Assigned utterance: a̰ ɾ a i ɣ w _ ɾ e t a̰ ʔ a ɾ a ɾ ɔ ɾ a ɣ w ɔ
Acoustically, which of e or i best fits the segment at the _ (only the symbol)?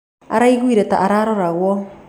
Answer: i